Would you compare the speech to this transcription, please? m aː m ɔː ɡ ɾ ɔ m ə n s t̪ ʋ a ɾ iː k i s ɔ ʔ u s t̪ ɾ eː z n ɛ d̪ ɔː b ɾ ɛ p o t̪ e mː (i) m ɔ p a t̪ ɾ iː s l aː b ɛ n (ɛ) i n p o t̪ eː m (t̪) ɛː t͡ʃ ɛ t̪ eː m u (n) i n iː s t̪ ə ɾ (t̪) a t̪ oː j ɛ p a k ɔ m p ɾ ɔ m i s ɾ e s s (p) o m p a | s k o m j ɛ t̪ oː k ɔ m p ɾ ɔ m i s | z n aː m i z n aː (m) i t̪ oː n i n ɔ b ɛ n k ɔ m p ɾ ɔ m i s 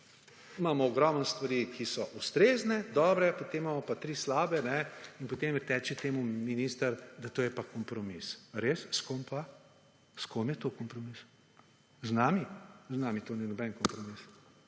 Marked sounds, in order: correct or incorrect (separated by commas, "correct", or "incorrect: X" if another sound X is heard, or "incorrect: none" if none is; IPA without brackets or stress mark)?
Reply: incorrect: a, correct, correct, incorrect: m, incorrect: d̪, incorrect: k, correct